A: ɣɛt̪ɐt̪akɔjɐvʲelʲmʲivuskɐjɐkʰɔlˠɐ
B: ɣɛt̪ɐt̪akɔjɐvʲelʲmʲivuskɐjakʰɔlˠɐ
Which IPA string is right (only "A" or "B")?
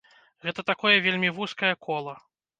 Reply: A